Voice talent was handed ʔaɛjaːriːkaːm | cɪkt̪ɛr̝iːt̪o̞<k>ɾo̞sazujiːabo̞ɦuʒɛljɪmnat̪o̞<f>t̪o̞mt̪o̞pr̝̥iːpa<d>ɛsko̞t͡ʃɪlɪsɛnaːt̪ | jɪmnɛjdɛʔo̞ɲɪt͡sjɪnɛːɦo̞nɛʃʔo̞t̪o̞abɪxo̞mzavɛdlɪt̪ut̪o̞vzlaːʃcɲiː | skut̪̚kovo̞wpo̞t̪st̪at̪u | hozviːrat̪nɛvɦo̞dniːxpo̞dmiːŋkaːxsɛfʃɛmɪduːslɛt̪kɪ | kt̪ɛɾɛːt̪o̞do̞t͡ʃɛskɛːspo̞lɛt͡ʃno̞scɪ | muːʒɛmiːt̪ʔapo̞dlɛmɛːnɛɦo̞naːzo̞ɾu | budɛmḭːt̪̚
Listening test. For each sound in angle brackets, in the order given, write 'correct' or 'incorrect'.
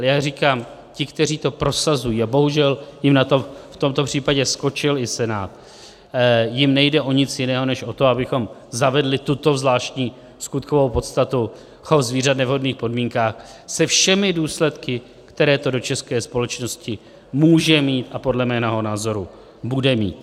incorrect: p, correct, incorrect: ɟ

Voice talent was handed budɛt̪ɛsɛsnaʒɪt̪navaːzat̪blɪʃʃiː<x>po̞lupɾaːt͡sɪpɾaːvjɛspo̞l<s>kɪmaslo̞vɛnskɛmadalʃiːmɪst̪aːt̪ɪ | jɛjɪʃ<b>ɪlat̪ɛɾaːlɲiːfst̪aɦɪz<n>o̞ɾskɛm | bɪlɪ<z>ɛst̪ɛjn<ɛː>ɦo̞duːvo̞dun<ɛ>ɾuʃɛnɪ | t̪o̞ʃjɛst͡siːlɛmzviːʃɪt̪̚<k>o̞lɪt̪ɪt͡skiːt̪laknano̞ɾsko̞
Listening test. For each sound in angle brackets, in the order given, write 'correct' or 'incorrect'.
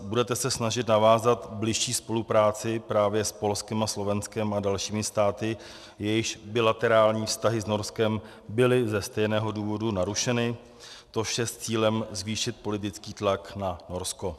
incorrect: s, correct, correct, correct, correct, correct, incorrect: a, incorrect: p

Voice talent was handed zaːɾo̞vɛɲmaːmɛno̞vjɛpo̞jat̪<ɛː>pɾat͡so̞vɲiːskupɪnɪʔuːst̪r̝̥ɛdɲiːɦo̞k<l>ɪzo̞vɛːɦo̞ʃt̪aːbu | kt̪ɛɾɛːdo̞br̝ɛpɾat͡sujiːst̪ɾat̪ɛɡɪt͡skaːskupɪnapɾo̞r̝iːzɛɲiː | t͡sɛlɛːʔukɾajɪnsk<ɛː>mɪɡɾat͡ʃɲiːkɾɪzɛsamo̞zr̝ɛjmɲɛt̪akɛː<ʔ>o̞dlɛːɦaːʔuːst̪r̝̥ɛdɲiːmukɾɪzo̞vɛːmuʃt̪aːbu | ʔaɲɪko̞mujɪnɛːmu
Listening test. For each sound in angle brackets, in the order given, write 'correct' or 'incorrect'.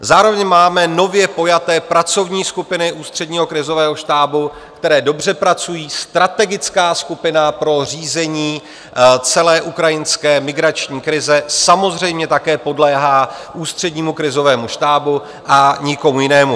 correct, incorrect: ɾ, correct, incorrect: p

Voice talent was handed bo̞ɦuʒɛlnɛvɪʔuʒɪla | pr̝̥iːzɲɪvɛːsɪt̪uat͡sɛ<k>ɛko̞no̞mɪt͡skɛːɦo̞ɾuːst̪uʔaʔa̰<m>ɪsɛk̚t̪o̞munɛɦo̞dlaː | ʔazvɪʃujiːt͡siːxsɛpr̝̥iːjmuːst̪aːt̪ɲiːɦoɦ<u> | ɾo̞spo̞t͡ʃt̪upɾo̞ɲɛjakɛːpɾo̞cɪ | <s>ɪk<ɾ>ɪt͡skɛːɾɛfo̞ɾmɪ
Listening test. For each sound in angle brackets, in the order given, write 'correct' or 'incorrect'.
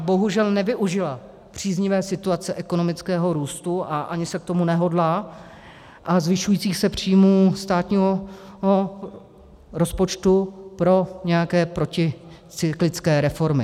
incorrect: ʔ, incorrect: ɲ, incorrect: o, incorrect: t͡s, incorrect: l

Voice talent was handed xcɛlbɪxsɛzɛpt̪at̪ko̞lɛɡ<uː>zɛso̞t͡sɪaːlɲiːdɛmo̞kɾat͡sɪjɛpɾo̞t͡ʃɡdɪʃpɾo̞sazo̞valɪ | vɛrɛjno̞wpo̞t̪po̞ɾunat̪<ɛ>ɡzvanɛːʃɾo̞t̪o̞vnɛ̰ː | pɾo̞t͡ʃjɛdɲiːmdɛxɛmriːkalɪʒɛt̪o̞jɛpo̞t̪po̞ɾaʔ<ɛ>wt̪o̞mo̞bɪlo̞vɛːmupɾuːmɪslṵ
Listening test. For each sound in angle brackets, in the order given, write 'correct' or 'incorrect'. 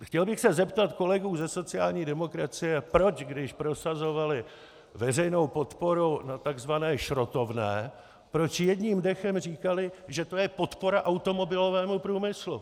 correct, incorrect: a, incorrect: a

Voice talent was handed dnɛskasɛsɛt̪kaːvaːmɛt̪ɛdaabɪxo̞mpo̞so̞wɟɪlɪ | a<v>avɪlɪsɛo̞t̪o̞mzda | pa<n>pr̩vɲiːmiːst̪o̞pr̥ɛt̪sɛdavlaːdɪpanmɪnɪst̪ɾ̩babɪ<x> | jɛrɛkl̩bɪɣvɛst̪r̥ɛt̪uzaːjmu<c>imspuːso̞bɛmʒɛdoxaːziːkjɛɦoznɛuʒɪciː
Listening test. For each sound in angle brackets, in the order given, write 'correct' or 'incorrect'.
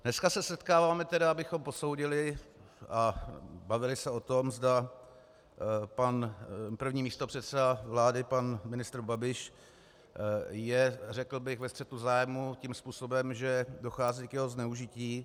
incorrect: b, correct, incorrect: ʃ, correct

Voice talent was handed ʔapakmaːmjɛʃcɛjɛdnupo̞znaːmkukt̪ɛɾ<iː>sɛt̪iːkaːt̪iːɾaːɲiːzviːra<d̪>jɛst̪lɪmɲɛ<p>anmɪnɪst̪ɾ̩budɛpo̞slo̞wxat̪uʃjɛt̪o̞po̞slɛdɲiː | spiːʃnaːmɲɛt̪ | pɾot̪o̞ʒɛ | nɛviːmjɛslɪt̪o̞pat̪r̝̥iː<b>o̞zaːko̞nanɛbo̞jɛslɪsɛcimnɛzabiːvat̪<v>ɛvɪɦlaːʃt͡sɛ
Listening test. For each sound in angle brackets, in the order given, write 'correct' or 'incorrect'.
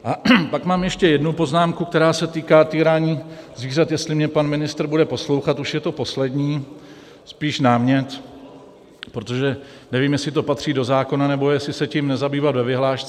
incorrect: aː, incorrect: t̪, correct, incorrect: d, correct

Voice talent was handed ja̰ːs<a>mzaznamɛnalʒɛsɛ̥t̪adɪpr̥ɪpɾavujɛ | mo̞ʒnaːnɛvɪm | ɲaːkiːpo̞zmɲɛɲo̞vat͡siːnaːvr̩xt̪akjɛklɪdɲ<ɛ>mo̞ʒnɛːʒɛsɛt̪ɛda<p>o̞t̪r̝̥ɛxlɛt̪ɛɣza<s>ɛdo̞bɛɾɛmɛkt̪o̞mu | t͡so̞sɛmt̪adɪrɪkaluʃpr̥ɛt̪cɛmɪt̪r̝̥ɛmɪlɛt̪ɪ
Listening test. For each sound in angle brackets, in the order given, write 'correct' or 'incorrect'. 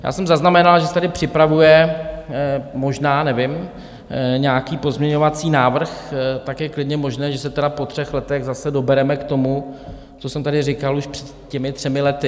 incorrect: ɛ, correct, correct, correct

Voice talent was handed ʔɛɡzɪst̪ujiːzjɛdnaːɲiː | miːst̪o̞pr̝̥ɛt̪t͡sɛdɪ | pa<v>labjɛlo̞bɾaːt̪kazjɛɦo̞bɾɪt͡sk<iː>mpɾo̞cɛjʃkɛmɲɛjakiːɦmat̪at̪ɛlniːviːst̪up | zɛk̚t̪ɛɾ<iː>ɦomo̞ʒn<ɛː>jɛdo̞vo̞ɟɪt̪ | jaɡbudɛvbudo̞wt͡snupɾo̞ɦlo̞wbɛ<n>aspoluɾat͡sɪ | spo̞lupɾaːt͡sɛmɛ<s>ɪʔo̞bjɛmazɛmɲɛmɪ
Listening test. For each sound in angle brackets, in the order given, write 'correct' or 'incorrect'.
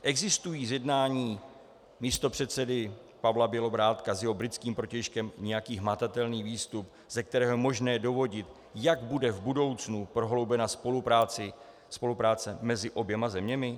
correct, correct, incorrect: ɛː, correct, correct, incorrect: z

